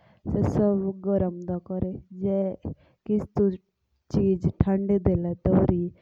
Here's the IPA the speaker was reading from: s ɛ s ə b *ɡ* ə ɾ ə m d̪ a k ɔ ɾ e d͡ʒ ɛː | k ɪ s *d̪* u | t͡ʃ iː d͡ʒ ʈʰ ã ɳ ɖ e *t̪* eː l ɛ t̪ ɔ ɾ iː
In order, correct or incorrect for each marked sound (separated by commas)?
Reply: correct, incorrect, incorrect